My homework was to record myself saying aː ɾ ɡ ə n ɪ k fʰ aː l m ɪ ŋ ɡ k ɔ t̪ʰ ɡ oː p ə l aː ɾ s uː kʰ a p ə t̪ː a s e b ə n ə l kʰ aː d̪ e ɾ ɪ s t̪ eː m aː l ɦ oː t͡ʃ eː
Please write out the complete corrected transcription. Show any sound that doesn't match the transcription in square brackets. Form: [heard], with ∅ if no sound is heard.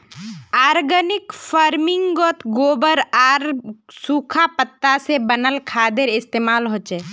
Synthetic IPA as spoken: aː ɾ ɡ ə n ɪ k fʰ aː [ɾ] m ɪ ŋ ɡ [ɡ] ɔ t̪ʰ ɡ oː [b] ə [ɾ] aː ɾ s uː kʰ a p ə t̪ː a s e b ə n ə l kʰ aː d̪ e ɾ ɪ s t̪ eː m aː l ɦ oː t͡ʃ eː